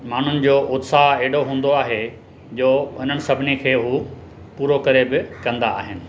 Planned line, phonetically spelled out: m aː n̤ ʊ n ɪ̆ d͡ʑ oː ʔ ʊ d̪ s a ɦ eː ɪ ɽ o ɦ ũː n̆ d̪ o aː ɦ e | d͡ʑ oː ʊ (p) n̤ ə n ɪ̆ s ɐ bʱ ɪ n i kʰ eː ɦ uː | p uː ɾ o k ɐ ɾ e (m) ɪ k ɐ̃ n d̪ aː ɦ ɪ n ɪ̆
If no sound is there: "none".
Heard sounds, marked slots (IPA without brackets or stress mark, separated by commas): none, b